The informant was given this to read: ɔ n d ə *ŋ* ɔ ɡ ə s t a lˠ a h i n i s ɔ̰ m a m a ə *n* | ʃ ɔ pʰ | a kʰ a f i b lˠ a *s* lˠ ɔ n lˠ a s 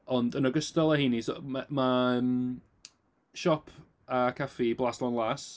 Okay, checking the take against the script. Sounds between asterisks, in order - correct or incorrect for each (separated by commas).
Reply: incorrect, incorrect, correct